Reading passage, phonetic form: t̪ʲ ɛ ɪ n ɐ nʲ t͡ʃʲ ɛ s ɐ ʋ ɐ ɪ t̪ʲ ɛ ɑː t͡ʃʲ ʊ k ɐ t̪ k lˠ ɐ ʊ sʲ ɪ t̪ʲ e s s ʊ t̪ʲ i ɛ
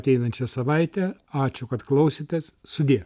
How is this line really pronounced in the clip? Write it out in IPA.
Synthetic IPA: t̪ʲ ɛ ɪ n ɐ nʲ t͡ʃʲ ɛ s ɐ ʋ ɐ ɪ t̪ʲ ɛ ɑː t͡ʃʲ ʊ k ɐ t̪ k lˠ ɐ ʊ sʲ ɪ t̪ʲ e s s ʊ d̪ʲ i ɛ